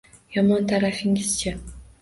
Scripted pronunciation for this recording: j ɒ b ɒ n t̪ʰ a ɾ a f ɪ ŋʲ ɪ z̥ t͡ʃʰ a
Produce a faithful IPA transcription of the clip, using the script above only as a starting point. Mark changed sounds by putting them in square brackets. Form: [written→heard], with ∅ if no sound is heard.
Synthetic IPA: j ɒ [b→m] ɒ n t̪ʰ a ɾ a f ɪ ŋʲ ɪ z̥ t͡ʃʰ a